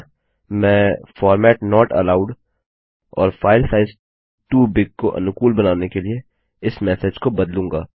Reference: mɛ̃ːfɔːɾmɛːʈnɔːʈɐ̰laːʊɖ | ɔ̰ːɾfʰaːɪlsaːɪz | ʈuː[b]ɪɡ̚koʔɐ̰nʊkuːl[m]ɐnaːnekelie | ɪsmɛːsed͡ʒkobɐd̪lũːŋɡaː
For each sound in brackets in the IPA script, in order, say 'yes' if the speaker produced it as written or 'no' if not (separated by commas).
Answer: yes, no